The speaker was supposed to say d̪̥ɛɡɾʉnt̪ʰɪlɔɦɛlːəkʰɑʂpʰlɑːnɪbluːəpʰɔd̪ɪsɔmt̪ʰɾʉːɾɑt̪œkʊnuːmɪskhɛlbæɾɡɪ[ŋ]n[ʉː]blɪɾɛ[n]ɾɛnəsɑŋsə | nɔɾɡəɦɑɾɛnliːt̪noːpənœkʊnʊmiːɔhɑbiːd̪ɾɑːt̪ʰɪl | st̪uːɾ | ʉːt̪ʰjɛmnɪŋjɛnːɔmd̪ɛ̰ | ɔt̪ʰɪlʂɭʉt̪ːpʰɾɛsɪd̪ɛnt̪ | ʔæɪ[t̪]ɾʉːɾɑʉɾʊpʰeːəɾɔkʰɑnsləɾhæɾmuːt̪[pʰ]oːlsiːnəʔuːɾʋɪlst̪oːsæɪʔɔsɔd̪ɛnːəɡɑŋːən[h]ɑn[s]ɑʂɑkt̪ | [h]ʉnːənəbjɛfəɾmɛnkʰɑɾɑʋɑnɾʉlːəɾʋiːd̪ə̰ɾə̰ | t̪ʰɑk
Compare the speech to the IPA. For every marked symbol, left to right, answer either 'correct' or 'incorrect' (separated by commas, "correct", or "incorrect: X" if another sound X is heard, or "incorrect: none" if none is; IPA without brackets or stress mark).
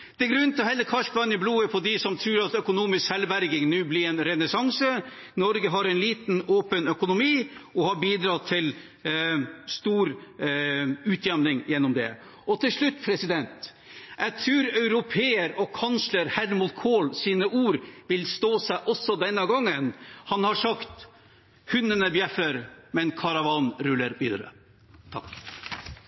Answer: correct, correct, correct, incorrect: t̪ʰ, incorrect: kʰ, correct, incorrect: h, correct